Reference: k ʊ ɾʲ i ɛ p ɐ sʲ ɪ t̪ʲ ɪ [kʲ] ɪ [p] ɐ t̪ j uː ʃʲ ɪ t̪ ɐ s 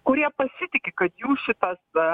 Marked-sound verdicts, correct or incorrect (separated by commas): correct, incorrect